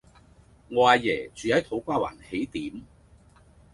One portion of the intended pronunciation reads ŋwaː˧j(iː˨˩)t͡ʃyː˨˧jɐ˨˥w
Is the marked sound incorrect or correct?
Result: incorrect